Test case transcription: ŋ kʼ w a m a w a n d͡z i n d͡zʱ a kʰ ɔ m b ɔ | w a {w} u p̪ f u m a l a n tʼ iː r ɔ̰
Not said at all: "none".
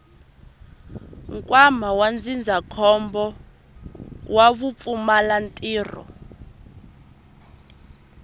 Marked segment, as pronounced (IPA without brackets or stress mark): β